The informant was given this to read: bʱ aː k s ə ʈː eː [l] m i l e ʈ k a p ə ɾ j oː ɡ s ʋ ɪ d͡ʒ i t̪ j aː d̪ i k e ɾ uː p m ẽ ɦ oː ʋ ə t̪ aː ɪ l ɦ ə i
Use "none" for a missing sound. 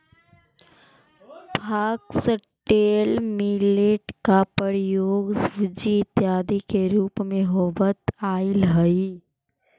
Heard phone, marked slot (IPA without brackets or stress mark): l